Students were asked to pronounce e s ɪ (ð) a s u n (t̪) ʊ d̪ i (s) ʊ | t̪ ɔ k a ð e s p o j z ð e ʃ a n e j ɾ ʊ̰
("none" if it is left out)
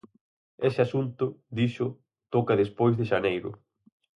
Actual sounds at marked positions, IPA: none, t̪, ʃ

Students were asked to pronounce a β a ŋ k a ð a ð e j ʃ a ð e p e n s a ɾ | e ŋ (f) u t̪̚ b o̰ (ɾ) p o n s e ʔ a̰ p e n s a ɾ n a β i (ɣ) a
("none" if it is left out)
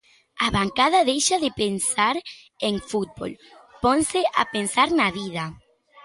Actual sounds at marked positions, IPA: f, l, ð

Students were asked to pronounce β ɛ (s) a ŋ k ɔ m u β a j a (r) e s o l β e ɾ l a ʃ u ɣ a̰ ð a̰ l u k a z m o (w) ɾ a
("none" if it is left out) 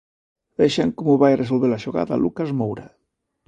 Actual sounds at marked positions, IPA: ʃ, r, w

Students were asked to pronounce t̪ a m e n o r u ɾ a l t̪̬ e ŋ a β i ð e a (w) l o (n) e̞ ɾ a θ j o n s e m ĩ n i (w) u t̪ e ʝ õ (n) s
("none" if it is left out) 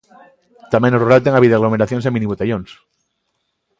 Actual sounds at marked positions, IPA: ɣ, m, β, n

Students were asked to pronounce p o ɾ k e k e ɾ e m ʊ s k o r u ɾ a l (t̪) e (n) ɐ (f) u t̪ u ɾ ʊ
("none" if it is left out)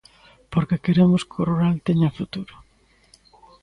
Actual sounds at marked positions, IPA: t̪, ɲ, f

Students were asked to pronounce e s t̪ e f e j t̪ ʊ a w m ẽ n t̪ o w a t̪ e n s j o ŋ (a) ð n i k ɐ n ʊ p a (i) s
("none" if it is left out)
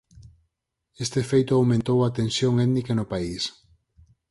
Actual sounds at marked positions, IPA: ɛ, i

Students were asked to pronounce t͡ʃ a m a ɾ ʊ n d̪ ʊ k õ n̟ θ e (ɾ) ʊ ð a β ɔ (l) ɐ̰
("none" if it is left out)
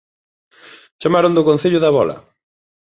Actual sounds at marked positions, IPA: ʎ, l

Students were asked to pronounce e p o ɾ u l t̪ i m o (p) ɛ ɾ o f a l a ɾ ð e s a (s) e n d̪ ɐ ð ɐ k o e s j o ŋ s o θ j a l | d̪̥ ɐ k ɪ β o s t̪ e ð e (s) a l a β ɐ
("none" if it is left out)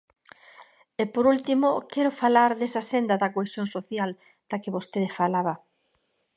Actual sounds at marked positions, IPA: k, s, f

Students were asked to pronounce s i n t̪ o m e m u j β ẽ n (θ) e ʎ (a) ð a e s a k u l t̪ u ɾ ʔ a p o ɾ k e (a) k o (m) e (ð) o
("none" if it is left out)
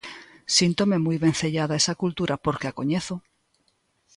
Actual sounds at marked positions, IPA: θ, a, a, ɲ, θ

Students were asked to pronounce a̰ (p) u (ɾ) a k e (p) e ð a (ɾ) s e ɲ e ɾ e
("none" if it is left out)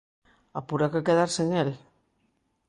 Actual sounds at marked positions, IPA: p, ɾ, k, ɾ

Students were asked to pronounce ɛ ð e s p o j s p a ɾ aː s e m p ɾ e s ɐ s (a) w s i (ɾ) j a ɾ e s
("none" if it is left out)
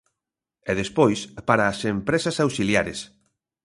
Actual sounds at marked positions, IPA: a, l

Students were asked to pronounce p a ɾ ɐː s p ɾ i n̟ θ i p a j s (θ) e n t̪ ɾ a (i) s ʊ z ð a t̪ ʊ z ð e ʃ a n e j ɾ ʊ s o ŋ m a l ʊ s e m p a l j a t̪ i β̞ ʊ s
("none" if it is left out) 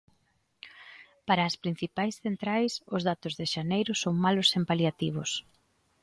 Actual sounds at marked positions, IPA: θ, j

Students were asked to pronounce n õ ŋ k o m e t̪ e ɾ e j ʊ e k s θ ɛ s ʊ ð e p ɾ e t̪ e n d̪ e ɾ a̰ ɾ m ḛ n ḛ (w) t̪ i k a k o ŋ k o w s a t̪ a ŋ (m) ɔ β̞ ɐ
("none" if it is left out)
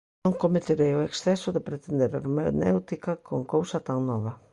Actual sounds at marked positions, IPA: w, n

